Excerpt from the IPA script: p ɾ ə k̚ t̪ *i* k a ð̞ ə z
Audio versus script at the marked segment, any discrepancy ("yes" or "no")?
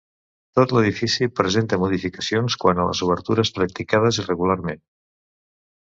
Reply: no